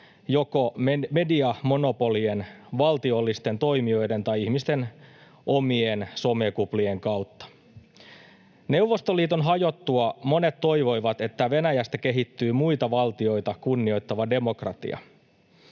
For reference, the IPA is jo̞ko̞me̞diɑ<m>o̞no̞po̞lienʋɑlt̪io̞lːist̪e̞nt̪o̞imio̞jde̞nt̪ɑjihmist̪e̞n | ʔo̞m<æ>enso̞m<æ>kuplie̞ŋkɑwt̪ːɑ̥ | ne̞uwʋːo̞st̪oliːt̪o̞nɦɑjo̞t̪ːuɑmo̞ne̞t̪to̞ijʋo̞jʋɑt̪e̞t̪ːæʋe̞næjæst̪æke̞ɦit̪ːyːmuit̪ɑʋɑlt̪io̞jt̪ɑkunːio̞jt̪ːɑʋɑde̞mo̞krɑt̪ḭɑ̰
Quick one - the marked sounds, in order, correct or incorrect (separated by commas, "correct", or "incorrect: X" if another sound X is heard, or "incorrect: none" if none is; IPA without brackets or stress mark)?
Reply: correct, incorrect: i, incorrect: e